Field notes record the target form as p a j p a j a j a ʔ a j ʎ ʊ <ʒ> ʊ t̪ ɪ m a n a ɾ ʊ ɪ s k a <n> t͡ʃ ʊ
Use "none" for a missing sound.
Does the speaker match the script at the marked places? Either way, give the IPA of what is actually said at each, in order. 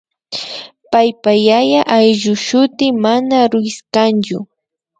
ʃ, n

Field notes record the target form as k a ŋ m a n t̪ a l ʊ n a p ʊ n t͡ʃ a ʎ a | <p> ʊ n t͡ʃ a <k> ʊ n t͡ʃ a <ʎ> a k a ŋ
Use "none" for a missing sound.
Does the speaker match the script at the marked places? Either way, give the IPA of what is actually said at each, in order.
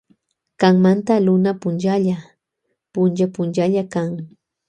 p, p, ʎ

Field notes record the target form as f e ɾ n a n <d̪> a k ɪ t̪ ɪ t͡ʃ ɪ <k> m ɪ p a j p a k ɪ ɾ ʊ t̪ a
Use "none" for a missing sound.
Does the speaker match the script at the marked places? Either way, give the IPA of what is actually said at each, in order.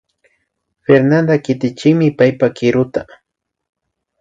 d̪, k

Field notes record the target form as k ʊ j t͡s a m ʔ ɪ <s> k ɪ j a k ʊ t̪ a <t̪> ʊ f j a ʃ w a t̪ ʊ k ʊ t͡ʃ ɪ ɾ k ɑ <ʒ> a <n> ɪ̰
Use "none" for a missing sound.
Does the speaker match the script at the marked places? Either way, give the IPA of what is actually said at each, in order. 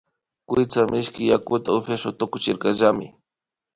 ʃ, none, ʒ, m

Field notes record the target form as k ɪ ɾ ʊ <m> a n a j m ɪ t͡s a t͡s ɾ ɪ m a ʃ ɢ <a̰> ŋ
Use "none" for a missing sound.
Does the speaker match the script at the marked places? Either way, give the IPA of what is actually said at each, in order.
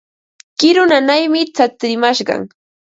n, ɑ̰

